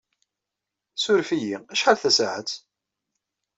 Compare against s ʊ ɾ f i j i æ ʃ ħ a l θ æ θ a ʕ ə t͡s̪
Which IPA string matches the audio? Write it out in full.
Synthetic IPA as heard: s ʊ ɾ f i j i æ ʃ ħ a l θ æ s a ʕ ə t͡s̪